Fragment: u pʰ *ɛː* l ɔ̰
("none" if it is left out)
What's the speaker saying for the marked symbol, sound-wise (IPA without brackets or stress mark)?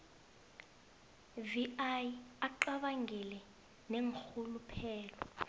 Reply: ɛː